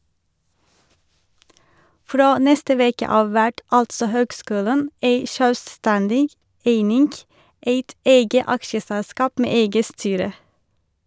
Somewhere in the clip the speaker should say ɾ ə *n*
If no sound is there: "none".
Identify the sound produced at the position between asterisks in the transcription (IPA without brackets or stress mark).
none